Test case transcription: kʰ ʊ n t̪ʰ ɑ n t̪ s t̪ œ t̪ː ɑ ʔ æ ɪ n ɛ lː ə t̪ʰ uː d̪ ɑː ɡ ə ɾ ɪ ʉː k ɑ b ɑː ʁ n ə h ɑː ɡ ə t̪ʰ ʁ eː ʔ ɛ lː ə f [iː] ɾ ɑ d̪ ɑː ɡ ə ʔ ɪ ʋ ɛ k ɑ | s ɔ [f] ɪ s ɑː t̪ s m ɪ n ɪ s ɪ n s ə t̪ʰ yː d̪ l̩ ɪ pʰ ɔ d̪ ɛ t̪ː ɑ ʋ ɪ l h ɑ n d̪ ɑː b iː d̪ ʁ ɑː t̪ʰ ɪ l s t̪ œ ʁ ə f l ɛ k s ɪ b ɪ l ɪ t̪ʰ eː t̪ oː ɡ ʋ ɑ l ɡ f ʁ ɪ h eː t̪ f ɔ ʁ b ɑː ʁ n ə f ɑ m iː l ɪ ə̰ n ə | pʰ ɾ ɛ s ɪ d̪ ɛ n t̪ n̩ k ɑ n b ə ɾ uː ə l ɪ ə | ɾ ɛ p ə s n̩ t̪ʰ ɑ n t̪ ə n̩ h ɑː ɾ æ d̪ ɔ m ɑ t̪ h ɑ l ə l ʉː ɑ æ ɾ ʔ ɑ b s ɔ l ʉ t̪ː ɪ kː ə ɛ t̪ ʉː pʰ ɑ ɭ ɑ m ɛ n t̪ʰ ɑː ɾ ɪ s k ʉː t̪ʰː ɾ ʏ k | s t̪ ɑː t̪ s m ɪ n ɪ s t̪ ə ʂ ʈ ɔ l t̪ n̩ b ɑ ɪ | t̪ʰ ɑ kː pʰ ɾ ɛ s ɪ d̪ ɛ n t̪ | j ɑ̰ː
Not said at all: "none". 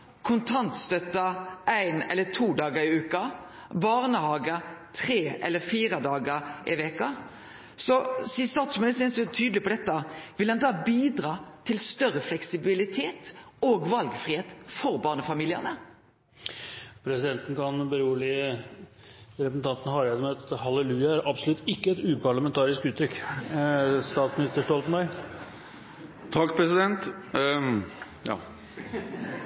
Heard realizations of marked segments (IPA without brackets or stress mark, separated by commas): iː, s